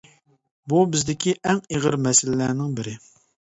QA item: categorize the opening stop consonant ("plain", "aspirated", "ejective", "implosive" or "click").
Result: plain